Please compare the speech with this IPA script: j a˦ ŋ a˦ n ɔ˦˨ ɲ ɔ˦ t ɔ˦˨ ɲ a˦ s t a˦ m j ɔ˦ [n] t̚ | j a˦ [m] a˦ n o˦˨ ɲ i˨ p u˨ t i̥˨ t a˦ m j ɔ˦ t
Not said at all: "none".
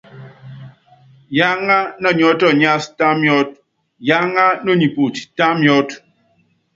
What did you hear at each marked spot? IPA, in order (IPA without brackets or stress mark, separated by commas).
none, ŋ